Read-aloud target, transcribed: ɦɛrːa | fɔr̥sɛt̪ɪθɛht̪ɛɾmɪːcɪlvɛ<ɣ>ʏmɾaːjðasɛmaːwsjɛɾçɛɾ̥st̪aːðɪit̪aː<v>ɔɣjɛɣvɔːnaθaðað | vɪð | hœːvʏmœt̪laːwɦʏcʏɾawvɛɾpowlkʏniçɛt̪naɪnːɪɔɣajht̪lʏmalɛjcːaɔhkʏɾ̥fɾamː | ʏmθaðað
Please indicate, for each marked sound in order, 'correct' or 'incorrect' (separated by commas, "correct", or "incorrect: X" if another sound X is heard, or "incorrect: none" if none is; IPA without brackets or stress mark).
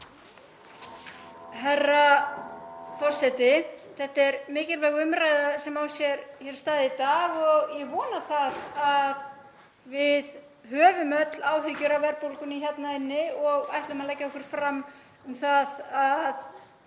correct, incorrect: ɣ